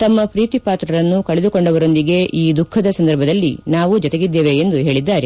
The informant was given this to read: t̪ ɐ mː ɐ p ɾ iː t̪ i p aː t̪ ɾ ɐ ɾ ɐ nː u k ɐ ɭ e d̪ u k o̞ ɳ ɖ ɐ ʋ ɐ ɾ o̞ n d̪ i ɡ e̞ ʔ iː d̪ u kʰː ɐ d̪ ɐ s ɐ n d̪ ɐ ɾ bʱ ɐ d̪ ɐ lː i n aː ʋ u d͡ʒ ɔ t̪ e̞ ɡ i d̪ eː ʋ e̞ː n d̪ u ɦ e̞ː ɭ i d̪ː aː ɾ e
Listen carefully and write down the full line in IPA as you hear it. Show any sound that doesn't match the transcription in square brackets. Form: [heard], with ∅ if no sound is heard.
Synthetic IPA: t̪ ɐ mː ɐ p ɾ iː t̪ i p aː t̪ ɾ ɐ ɾ ɐ nː u k ɐ ɭ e d̪ u k o̞ ɳ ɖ ɐ ʋ ɐ ɾ o̞ n d̪ i ɡ e̞ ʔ iː d̪ u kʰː ɐ d̪ ɐ s ɐ n d̪ ɐ ɾ bʱ ɐ d̪ ɐ lː i n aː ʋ u d͡ʒ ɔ t̪ e̞ ɡ i [d̪ː] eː ʋ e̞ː n d̪ u ɦ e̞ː ɭ i d̪ː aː ɾ e